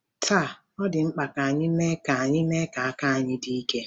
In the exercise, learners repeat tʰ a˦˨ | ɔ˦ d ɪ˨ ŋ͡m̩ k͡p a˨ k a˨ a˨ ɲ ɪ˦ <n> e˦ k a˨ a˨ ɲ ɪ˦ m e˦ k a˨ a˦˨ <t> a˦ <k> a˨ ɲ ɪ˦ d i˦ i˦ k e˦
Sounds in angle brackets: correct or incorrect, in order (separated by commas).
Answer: incorrect, incorrect, incorrect